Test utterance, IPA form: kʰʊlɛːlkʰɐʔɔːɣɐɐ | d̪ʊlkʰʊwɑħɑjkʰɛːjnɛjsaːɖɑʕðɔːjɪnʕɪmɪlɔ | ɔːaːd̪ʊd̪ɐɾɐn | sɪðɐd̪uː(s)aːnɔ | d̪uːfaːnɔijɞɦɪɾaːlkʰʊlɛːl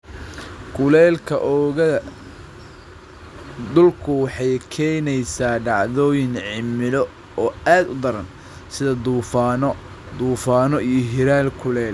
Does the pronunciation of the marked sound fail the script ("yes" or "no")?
yes